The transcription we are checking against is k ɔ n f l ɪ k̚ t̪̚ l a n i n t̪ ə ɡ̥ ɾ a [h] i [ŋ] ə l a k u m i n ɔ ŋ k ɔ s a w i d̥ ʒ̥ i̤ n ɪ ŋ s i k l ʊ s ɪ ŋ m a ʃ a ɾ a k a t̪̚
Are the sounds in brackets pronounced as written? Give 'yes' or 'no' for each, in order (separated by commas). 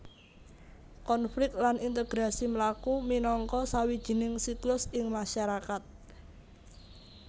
no, no